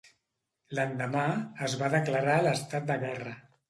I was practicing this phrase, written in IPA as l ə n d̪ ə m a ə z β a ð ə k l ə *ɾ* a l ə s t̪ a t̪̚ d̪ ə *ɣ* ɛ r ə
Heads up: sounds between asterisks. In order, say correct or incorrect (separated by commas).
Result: correct, correct